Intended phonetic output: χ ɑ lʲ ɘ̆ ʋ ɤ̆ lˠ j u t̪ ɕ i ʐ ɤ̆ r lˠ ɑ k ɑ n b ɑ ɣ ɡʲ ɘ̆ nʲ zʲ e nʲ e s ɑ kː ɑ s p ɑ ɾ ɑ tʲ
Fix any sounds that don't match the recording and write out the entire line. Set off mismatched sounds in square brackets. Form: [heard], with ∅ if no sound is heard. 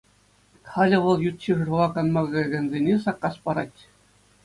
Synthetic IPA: χ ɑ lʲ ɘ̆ ʋ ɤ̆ lˠ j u t̪ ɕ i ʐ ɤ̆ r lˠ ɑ k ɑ n [m] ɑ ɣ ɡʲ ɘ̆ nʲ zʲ e nʲ e s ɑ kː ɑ s p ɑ ɾ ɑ tʲ